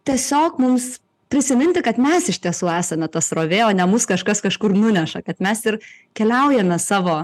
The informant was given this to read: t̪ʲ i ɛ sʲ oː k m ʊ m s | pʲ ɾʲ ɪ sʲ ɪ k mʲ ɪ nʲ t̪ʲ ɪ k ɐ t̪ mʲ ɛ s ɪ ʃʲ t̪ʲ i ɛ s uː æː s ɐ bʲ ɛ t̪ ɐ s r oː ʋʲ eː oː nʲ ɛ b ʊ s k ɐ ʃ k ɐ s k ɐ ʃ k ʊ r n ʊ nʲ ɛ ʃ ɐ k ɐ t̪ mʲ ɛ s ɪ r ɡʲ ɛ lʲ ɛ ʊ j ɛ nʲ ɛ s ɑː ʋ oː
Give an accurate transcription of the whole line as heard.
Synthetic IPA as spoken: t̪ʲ i ɛ sʲ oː k m ʊ m s | pʲ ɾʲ ɪ sʲ ɪ mʲ ɪ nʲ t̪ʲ ɪ k ɐ t̪ mʲ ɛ s ɪ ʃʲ t̪ʲ i ɛ s uː æː s ɐ mʲ ɛ t̪ ɐ s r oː ʋʲ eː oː nʲ ɛ m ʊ s k ɐ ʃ k ɐ s k ɐ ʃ k ʊ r n ʊ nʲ ɛ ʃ ɐ k ɐ t̪ mʲ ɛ s ɪ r kʲ ɛ lʲ ɛ ʊ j ɛ mʲ ɛ s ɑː ʋ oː